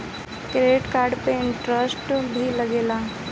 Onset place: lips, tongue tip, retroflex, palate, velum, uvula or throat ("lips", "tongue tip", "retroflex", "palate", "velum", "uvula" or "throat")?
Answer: velum